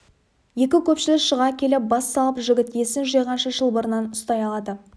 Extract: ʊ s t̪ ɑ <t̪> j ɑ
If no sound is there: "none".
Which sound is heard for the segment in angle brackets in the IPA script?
none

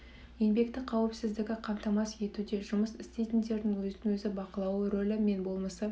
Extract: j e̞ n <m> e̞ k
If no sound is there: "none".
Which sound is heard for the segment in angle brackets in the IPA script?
b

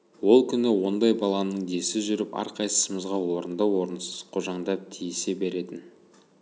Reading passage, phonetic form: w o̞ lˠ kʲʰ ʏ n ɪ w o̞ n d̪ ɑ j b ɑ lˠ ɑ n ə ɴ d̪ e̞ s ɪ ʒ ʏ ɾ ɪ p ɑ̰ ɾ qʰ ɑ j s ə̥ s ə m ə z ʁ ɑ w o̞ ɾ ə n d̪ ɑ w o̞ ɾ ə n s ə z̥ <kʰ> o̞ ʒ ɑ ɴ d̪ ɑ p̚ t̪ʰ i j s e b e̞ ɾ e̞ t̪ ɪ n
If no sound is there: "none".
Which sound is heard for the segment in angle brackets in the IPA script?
qʰ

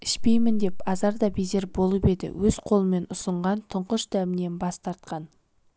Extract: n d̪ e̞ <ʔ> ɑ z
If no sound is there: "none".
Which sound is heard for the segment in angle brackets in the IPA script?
p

